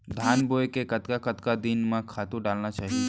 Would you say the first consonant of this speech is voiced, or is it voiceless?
voiced